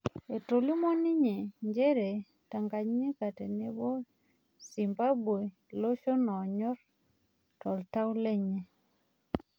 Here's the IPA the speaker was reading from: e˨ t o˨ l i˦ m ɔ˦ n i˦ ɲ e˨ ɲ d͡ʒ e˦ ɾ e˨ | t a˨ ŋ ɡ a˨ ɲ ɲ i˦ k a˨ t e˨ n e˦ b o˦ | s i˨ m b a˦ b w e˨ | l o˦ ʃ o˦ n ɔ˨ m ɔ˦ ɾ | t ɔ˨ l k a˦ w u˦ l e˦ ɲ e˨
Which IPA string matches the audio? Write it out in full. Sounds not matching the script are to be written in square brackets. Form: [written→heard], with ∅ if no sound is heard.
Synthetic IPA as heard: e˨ t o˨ l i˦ m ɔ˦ n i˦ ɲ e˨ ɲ d͡ʒ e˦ ɾ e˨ | t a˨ ŋ ɡ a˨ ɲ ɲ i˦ k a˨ t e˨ n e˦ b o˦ | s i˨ m b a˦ b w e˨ | l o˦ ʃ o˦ n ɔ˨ [m→ɲ] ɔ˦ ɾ | t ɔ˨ l [k→t] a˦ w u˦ l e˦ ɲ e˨